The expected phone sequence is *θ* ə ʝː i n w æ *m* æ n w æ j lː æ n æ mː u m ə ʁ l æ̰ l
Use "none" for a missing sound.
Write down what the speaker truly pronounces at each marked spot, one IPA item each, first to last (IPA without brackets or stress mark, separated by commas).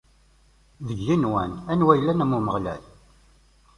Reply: ð, n